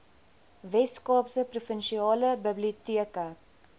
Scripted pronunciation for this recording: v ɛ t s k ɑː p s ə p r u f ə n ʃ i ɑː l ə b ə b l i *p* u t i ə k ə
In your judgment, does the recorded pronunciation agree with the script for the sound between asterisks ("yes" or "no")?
no